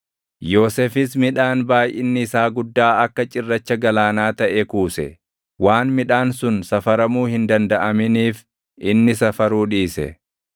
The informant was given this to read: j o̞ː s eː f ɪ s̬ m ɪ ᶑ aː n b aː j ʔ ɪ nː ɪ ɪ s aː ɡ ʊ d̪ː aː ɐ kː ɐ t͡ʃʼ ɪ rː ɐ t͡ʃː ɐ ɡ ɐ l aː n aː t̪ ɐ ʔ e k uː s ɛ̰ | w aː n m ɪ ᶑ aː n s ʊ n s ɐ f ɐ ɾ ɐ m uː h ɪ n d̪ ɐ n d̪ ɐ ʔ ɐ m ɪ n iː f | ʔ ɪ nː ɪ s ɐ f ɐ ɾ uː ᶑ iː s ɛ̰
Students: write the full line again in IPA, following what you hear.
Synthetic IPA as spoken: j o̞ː s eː f ɪ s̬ m ɪ ᶑ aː n b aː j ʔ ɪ nː ɪ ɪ s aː ɡ ʊ d̪ː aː ɐ kː ɐ t͡ʃʼ ɪ rː ɐ t͡ʃː ɐ ɡ ɐ l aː n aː t̪ ɐ ʔ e k uː s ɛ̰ | w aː n m ɪ ᶑ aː n s ʊ n s ɐ f ɐ ɾ ɐ m uː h ɪ n d̪ ɐ n d̪ ɐ ʔ ɐ m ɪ n iː f | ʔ ɪ nː ɪ s ɐ f ɐ ɾ uː ᶑ iː s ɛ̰